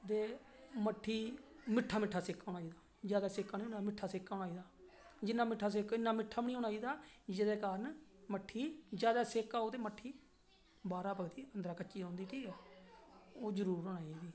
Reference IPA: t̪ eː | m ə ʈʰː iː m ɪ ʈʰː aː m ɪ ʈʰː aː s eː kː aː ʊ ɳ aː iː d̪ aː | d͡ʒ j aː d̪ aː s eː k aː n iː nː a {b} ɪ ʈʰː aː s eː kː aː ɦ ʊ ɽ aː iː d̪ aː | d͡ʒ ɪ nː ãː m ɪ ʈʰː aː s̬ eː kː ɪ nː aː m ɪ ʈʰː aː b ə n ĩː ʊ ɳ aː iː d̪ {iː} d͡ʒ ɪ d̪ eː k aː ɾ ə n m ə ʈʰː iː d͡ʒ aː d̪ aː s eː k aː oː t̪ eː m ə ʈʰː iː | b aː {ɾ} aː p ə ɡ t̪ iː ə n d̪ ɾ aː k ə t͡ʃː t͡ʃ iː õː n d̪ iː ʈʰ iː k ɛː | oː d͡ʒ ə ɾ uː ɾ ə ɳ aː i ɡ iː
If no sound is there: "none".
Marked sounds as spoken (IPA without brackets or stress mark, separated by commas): m, aː, ɾ